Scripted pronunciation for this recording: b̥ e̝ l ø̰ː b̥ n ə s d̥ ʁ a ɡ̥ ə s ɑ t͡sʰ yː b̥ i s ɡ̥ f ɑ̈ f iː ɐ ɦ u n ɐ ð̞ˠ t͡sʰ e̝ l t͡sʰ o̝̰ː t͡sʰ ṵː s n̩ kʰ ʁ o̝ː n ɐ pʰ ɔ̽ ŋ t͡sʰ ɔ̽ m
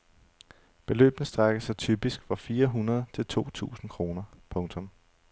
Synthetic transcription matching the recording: b̥ e̝ l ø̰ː b̥ n ə s d̥ ʁ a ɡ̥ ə s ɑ t͡sʰ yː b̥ i s ɡ̥ f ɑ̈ f iː ɐ ɦ u n ɐ ð̞ˠ t͡sʰ e̝ l t͡sʰ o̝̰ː t͡sʰ ṵː s n̩ kʰ ʁ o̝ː n ɐ pʰ ɔ̽ ŋ t͡sʰ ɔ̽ m